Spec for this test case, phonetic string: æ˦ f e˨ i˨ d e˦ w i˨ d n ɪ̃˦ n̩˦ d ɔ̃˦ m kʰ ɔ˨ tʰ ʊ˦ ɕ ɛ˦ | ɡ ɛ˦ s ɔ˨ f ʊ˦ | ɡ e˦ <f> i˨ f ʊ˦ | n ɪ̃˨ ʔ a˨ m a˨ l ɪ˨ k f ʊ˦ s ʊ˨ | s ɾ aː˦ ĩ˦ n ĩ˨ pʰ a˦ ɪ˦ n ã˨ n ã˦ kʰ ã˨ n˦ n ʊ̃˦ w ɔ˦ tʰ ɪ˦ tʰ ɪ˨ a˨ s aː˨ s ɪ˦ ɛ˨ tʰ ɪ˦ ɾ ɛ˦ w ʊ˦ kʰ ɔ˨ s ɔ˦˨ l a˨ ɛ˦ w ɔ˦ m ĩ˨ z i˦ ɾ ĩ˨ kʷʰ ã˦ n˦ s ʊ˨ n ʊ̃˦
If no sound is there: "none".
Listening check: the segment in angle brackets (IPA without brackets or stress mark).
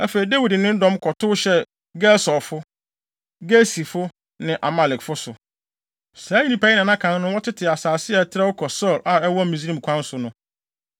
s